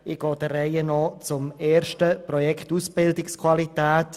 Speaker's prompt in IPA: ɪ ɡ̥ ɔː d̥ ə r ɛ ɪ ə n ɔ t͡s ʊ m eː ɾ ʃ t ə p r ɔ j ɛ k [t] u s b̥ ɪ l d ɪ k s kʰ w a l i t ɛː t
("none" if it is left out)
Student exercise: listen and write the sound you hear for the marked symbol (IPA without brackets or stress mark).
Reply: t